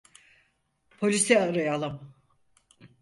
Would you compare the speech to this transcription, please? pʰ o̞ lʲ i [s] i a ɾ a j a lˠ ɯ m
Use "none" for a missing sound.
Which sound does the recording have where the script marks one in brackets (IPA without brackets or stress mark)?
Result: s